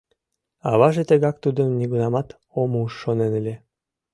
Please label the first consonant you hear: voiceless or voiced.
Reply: voiced